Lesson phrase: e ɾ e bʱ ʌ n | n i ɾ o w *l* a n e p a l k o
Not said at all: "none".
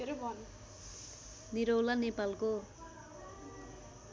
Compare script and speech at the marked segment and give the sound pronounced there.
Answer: l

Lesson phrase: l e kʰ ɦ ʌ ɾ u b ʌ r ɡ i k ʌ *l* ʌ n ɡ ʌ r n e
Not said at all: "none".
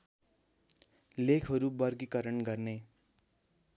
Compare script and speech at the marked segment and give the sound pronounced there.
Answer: ɾ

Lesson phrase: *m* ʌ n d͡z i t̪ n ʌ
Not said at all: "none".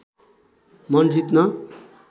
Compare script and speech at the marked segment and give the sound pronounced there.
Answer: m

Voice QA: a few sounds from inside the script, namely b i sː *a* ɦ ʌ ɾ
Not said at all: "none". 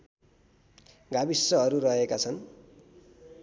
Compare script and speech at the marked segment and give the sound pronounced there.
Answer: ʌ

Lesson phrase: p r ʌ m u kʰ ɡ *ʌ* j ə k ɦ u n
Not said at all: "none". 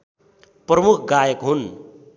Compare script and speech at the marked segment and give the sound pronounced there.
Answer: a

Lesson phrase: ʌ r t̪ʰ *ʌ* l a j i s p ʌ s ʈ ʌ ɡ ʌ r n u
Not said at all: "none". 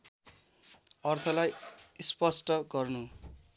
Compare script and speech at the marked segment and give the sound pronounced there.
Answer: ʌ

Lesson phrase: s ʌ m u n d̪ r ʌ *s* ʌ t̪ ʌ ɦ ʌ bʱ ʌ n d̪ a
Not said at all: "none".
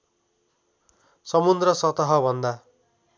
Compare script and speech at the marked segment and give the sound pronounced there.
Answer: s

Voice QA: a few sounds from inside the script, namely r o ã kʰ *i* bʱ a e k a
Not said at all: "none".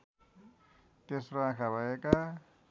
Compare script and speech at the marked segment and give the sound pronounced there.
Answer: a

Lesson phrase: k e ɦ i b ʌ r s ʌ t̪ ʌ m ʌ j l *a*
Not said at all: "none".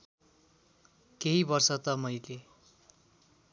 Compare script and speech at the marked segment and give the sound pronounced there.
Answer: e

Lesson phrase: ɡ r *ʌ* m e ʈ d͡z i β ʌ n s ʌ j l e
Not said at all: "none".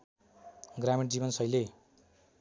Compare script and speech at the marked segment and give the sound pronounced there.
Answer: a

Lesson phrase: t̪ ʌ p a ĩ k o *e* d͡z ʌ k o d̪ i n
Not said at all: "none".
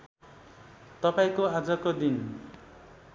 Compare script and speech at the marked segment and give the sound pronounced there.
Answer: a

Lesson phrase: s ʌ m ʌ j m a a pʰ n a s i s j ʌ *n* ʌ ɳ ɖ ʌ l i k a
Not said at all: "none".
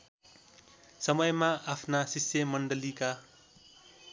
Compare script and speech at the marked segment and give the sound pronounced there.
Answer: m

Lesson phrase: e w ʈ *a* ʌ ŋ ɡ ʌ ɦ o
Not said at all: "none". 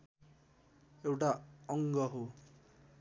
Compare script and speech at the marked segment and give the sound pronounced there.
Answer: a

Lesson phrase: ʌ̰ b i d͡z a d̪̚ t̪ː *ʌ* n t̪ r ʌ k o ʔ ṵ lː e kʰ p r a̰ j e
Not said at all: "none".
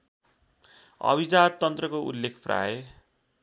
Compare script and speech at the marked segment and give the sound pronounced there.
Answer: ʌ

